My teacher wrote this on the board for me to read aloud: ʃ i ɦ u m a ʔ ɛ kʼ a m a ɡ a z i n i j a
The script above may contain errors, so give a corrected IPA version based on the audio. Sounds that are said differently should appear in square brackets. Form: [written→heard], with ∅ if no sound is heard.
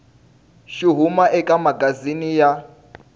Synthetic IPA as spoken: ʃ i ɦ u m a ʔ ɛ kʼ a m a ɡ a z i n i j a